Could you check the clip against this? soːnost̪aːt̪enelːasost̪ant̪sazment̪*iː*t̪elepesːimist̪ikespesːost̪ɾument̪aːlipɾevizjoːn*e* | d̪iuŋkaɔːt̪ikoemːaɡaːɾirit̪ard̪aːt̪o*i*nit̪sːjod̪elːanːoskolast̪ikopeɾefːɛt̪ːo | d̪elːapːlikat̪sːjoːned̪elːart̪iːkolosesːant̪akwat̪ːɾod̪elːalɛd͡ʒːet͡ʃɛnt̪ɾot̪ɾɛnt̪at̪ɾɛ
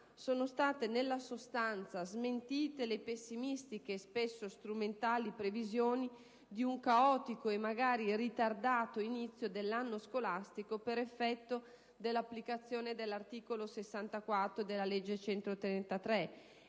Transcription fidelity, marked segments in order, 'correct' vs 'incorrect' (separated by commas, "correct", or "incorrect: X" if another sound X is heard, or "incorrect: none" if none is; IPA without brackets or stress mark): correct, incorrect: i, correct